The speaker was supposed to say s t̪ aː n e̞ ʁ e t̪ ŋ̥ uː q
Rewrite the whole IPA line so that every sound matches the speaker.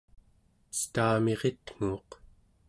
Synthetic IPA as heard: s t̪ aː m e̞ ʁ e t̪ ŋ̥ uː q